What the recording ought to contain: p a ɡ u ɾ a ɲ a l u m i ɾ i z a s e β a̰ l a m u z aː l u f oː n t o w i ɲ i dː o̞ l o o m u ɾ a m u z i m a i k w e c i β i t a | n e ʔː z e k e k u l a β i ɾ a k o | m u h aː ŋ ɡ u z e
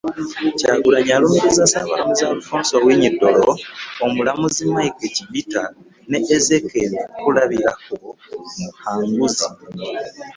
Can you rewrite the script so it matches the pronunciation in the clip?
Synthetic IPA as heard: c a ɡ u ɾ a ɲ a l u m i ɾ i z a s a β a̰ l a m u z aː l u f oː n s o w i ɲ i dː o̞ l o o m u l a m u z i m a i k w e c i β i t a | n e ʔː z e k e k u l a β i ɾ a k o | m u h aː ŋ ɡ u z i